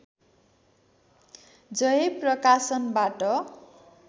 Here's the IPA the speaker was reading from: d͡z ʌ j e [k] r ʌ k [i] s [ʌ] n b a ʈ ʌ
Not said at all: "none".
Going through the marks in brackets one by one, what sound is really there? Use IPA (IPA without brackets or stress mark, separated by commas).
p, a, ʌ